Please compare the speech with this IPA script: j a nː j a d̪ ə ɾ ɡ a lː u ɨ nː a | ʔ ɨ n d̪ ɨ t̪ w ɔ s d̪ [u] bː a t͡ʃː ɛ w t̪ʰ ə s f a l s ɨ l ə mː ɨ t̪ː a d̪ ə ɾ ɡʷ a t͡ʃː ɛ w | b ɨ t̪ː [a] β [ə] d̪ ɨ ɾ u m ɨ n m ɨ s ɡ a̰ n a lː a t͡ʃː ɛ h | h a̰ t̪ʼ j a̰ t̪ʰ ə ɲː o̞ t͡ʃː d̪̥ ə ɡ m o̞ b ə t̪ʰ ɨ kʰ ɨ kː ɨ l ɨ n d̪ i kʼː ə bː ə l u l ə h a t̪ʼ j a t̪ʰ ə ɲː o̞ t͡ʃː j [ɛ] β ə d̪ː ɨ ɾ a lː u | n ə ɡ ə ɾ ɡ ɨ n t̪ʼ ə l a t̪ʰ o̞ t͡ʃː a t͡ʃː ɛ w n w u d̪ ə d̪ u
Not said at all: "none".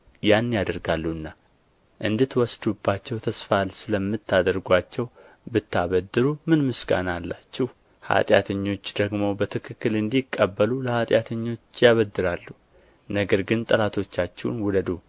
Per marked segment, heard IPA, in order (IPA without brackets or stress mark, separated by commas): u, a, ə, a